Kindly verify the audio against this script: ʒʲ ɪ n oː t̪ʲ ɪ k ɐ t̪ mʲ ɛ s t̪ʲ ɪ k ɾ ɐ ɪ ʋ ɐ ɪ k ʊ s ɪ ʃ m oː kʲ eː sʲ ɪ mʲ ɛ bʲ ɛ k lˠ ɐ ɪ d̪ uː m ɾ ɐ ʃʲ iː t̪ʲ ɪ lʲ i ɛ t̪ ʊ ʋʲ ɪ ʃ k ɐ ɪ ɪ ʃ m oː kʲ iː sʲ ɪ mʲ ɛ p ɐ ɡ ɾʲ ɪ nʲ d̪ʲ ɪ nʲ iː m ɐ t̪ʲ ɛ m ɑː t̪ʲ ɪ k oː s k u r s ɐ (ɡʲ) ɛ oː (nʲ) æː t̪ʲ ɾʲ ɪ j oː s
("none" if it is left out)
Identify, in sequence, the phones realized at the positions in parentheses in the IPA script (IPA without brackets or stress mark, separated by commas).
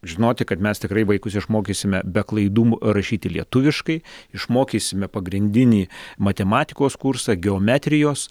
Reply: ɡʲ, mʲ